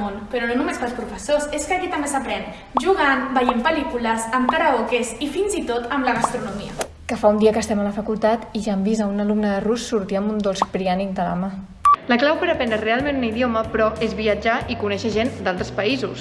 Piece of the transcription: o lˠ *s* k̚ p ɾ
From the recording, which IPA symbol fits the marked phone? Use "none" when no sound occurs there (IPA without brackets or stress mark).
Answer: s